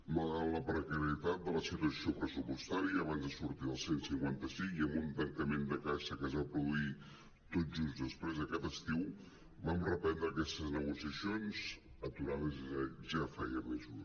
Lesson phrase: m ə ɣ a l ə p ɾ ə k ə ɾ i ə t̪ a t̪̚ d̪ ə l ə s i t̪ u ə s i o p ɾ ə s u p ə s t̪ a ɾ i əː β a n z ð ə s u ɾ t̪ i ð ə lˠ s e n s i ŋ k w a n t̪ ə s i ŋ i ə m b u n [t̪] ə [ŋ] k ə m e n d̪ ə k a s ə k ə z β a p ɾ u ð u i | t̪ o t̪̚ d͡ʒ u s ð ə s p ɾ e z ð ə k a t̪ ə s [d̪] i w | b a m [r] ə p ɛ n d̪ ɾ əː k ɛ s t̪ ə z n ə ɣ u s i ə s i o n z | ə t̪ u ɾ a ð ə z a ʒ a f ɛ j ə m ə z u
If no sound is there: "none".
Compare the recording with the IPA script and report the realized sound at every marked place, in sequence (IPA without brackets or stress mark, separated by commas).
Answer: t̪, ŋ, t̪, r